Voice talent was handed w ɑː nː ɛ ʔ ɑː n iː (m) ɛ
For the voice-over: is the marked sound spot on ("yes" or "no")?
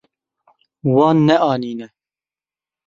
no